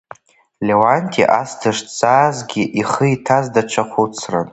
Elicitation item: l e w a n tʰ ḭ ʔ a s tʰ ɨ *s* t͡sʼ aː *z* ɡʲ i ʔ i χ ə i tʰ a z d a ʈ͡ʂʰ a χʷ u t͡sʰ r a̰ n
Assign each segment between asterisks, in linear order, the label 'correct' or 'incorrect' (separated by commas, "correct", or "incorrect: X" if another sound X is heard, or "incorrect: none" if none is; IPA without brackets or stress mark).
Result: incorrect: ʂ, correct